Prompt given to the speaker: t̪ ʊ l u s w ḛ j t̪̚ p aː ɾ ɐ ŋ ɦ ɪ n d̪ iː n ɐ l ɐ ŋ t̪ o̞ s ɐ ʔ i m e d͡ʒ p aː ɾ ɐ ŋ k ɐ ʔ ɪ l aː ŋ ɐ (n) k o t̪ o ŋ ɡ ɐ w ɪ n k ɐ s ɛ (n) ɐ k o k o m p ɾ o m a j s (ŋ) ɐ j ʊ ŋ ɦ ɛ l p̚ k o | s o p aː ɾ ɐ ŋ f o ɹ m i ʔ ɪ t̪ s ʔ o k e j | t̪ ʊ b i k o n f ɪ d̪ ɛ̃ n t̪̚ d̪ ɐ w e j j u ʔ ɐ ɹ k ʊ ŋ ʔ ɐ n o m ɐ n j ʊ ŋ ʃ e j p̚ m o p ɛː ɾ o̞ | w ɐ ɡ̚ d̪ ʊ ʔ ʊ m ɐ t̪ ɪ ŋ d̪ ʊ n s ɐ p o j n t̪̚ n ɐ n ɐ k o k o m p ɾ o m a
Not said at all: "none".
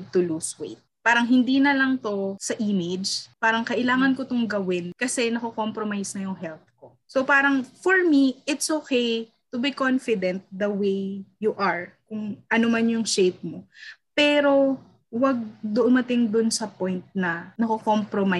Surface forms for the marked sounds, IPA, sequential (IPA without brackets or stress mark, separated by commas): n, n, n